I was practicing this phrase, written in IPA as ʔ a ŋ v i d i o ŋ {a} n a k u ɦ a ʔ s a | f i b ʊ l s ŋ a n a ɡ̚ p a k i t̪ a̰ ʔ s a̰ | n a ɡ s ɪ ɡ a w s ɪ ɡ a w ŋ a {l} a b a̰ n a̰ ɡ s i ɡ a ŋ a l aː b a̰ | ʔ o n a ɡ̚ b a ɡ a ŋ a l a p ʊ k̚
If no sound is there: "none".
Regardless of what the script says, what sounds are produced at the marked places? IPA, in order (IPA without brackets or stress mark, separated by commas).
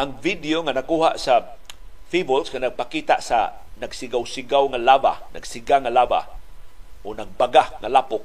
a, l